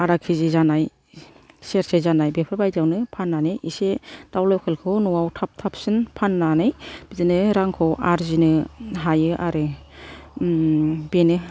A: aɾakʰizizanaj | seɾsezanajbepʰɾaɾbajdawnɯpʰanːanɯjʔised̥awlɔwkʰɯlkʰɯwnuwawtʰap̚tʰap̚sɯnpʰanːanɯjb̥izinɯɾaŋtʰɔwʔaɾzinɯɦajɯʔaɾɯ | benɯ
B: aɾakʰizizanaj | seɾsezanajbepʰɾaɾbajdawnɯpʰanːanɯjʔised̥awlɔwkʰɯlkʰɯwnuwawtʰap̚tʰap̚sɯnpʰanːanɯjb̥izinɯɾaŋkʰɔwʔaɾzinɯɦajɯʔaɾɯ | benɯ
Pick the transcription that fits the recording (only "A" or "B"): B